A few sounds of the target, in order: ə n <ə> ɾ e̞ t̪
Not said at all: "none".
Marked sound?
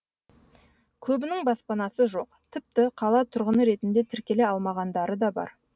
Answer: ə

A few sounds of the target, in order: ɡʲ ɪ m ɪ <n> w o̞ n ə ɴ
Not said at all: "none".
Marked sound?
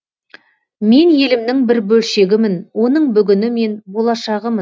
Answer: n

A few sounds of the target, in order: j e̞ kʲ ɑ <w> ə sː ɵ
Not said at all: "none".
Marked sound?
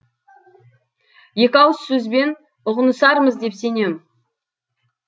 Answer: w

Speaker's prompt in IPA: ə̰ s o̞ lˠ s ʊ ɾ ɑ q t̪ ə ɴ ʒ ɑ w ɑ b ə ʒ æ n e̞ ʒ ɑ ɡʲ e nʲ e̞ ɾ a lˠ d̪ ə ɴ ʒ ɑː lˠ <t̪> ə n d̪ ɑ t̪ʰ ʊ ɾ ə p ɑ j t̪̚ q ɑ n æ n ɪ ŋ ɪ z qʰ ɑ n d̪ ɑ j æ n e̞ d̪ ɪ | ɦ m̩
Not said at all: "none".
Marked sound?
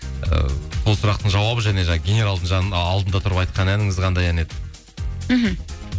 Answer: d̪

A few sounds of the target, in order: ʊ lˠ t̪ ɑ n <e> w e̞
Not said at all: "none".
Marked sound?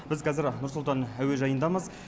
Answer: æ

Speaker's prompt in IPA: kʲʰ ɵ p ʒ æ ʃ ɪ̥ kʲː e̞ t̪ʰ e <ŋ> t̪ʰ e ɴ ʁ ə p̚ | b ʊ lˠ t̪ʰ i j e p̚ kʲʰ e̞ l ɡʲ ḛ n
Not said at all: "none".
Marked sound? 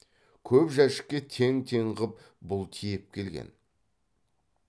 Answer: ŋ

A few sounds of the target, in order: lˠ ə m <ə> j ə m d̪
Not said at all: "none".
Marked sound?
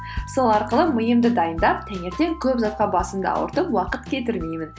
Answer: ə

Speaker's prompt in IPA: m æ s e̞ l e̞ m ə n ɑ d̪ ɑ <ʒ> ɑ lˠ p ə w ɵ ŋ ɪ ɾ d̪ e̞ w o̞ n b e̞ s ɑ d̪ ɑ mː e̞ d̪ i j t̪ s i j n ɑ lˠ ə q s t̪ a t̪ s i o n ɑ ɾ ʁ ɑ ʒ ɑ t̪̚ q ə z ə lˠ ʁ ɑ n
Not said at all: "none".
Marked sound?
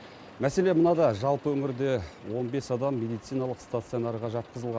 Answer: ʒ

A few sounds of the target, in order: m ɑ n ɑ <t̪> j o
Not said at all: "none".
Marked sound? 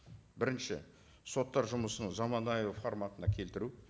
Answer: none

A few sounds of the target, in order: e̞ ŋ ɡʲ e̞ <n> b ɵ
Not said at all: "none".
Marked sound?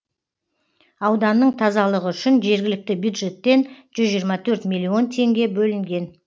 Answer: none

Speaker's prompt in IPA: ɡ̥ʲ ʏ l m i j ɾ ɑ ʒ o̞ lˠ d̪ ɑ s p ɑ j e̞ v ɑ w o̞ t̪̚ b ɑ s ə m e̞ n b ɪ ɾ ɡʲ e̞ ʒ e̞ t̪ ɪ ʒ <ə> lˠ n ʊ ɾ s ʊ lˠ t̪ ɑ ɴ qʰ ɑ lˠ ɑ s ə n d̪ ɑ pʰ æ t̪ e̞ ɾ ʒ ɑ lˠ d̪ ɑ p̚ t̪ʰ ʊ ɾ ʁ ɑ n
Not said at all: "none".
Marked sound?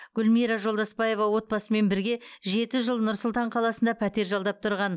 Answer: ə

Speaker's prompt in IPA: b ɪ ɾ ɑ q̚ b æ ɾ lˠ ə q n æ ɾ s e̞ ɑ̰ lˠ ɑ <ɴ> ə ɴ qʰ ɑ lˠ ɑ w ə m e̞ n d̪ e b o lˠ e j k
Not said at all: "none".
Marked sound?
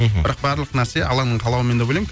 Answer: n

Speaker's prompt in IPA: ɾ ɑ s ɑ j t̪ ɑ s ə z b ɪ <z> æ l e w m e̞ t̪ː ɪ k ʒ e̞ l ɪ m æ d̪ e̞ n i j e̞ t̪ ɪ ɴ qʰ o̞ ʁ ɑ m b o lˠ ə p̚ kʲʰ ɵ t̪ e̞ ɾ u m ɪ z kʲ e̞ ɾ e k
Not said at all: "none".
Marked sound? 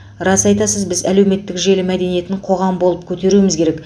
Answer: z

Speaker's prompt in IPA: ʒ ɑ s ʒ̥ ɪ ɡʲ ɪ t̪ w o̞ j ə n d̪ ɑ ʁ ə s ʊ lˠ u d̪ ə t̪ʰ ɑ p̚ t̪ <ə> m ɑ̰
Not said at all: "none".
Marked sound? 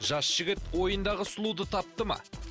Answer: ə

